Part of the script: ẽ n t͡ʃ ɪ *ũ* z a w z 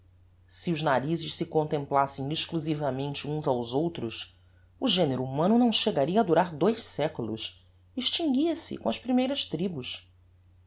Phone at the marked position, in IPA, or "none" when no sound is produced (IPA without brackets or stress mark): ũ